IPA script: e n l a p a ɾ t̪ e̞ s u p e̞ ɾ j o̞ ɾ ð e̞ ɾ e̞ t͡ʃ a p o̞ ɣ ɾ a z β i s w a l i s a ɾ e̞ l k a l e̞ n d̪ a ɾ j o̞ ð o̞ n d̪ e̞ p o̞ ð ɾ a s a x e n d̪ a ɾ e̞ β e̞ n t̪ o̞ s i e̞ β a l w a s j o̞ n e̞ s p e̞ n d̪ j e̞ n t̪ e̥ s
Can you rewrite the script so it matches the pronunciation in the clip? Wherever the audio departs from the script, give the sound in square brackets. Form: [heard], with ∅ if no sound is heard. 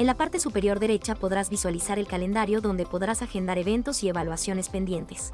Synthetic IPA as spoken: e n l a p a ɾ t̪ e̞ s u p e̞ ɾ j o̞ ɾ ð e̞ ɾ e̞ t͡ʃ a p o̞ [ð] ɾ a z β i s w a l i s a ɾ e̞ l k a l e̞ n d̪ a ɾ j o̞ ð o̞ n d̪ e̞ p o̞ ð ɾ a s a x e n d̪ a ɾ e̞ β e̞ n t̪ o̞ s i e̞ β a l w a s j o̞ n e̞ s p e̞ n d̪ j e̞ n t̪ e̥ s